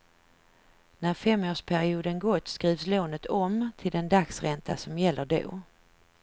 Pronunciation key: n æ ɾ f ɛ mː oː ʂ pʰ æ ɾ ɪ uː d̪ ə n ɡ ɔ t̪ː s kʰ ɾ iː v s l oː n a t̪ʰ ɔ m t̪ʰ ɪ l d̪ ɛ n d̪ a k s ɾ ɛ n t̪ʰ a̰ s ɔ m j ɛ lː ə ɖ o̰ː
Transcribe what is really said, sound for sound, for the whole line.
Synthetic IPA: n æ ɾ f ɛ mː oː ʂ pʰ æ ɾ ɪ uː d̪ ə n ɡ ɔ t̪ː s k ɾ iː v s l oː n ə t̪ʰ ɔ m t̪ʰ ɪ l d̪ ɛ n d̪ a k s ɾ ɛ n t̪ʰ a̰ s ɔ m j ɛ lː ə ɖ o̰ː